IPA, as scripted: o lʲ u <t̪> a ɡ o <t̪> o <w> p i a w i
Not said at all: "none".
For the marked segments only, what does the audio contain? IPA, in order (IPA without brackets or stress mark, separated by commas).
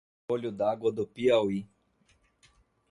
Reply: d̪, d̪, none